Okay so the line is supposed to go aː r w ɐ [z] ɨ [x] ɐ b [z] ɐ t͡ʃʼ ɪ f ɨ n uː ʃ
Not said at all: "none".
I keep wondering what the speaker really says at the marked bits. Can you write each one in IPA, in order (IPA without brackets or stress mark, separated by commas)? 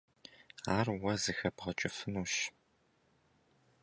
z, x, ʁ